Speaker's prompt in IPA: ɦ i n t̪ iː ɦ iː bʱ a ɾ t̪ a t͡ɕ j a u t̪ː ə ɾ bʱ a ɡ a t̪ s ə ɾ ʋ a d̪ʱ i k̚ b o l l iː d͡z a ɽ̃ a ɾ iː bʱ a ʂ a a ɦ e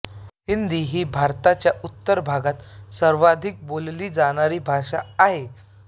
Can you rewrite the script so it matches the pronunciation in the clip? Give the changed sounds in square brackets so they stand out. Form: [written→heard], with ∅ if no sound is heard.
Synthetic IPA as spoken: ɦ i n [t̪→d̪] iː ɦ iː bʱ a ɾ t̪ a t͡ɕ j a u t̪ː ə ɾ bʱ a ɡ a t̪ s ə ɾ ʋ a d̪ʱ i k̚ b o l l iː d͡z a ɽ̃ a ɾ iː bʱ a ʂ a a ɦ e